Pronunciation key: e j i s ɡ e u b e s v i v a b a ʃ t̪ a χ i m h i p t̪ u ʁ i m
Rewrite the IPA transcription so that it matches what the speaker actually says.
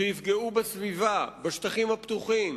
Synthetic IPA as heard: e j i f ɡ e u b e s v i v a b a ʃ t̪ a χ i m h a p t̪ u χ i m